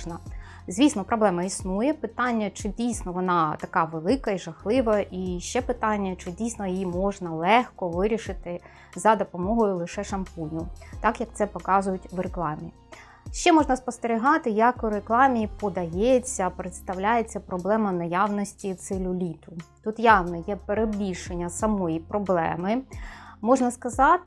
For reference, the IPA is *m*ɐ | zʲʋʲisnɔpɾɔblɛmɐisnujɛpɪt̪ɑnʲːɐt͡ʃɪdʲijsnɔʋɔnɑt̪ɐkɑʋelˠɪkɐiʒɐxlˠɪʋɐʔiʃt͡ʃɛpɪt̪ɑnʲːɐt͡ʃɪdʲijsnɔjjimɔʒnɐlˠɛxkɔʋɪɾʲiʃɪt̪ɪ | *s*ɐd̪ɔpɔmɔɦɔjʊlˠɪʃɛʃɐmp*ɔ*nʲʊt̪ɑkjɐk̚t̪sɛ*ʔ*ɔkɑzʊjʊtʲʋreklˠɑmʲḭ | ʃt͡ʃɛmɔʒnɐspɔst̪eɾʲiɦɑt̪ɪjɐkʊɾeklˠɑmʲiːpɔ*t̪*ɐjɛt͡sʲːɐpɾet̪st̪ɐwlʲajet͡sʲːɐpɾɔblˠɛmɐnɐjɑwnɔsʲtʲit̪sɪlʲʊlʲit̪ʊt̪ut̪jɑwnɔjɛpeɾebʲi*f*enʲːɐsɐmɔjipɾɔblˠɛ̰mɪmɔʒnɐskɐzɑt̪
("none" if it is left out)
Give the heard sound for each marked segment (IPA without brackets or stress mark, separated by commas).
n, z, u, p, d̪, ʃ